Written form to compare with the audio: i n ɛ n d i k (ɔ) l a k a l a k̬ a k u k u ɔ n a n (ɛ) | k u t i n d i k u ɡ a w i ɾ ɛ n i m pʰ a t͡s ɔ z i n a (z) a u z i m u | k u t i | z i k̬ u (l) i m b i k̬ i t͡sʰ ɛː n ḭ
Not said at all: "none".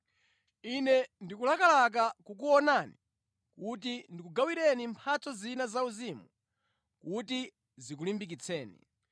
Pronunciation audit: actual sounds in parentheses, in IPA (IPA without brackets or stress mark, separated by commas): u, i, z, l